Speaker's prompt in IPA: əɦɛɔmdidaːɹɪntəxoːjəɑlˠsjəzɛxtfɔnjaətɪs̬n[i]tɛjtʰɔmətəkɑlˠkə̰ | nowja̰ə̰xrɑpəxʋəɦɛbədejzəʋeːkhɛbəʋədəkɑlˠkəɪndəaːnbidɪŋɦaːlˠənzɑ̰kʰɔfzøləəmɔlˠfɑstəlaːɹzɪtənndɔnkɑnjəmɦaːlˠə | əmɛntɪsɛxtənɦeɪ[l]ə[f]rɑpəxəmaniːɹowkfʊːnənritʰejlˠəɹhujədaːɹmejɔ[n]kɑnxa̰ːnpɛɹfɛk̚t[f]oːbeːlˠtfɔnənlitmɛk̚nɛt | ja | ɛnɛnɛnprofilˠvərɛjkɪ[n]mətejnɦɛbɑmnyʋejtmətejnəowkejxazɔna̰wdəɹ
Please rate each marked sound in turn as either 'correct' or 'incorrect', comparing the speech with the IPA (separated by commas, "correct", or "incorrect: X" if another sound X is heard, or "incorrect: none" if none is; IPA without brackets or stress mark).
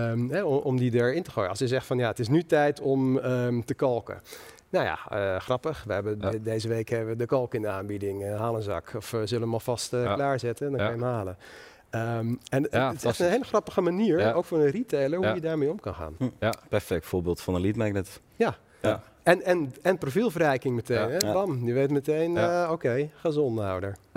incorrect: y, correct, incorrect: x, incorrect: m, correct, incorrect: ŋ